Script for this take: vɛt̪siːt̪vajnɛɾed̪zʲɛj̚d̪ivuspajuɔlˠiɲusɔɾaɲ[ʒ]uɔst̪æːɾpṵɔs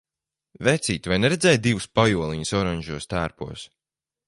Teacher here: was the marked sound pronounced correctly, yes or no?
yes